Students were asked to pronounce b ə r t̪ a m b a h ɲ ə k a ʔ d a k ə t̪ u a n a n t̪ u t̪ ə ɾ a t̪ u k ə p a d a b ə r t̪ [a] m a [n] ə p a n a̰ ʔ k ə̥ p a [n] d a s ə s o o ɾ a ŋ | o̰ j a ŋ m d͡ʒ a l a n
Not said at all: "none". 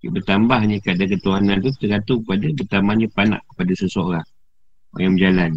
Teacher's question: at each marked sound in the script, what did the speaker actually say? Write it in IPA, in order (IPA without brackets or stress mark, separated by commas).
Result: a, ɲ, none